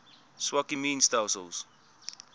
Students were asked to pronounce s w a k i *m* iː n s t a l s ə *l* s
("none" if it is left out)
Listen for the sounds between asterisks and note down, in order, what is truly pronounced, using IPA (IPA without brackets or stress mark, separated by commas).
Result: m, l